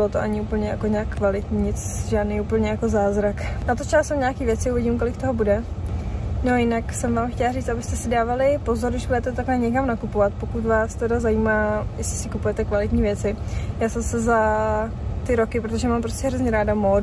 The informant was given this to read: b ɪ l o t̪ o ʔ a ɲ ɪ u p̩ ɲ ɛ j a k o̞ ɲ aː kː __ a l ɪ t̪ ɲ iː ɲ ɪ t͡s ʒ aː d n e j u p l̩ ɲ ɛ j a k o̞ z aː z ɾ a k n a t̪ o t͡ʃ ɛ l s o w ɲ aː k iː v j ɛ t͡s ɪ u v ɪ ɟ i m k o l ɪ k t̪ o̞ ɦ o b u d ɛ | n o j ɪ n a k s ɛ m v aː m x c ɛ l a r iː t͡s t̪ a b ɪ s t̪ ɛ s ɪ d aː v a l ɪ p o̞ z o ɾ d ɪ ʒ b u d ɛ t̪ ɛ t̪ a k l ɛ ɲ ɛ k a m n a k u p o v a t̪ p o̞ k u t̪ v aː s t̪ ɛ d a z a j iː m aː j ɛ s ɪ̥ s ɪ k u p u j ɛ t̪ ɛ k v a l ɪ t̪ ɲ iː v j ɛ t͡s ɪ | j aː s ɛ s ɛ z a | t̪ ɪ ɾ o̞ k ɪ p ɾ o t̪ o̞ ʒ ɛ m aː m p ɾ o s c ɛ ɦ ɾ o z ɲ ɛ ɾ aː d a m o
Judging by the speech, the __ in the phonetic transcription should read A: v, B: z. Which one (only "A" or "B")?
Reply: A